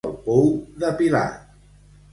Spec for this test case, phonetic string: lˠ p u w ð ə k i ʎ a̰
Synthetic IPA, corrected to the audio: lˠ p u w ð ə p i l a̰

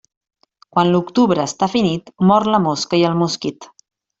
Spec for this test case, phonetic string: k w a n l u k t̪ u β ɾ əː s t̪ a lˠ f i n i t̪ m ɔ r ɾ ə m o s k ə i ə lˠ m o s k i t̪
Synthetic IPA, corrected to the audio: k w a n l u k t̪ u β ɾ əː s t̪ a f i n i t̪ m ɔ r l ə m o s k ə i ə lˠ m u s k i t̪

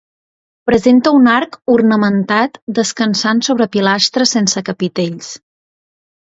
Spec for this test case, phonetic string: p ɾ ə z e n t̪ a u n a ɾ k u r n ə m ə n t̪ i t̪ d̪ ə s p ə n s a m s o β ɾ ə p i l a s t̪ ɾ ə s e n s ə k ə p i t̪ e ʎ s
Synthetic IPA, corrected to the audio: p ɾ ə z e n t̪ ə u n a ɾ k u r n ə m ə n t̪ a t̪ d̪ ə s k ə n s a n s o β ɾ ə p i l a s t̪ ɾ ə s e n s ə k ə p i t̪ e ʎ s

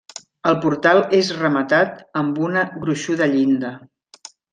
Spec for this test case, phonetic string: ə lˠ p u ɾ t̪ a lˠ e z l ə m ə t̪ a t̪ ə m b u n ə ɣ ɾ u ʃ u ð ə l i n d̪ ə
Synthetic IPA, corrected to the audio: ə lˠ p u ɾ t̪ a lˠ e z r ə m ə t̪ a t̪ ə m b u n ə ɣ ɾ u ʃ u ð ə ʎ i n d̪ ə

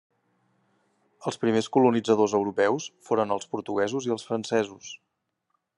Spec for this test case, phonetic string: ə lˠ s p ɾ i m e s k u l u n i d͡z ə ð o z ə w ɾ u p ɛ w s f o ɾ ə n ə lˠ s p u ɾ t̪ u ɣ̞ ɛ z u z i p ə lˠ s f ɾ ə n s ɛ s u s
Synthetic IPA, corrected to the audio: ə lˠ s p ɾ i m e s k u l u n i d͡z ə ð o z ə w ɾ u p ɛ w s f o ɾ ə n ə lˠ s p u ɾ t̪ u ɣ̞ ɛ z u z i ə lˠ s f ɾ ə n s ɛ z u s

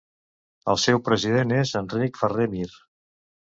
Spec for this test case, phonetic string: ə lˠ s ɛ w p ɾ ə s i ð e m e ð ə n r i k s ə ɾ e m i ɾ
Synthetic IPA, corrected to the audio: ə lˠ s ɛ w p ɾ ə z i ð e n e z ə n r i k f ə r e m i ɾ

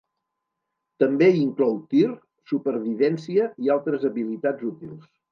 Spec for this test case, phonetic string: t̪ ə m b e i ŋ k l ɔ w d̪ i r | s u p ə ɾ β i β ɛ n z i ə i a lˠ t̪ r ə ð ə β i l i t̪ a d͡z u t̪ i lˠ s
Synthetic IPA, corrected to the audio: t̪ ə m b e i ŋ k l ɔ w t̪ i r | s u p ə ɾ β i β ɛ n s i ə i a lˠ t̪ ɾ ə z ə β i l i t̪ a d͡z u t̪ i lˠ s

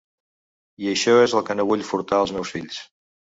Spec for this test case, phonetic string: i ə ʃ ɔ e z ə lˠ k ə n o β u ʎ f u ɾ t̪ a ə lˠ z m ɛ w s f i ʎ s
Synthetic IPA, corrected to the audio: i ə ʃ ɔ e z ə lˠ k ə n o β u ʎ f u ɾ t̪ a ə lˠ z m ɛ w s f i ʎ s

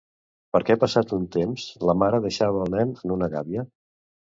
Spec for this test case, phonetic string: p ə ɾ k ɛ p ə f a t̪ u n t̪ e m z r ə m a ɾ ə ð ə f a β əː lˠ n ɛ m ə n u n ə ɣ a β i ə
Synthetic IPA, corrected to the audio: p ə ɾ k ɛ p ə s a t̪ u n t̪ e m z l ə m a ɾ ə ð ə ʃ a β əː lˠ n ɛ n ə n u n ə ɣ a β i ə

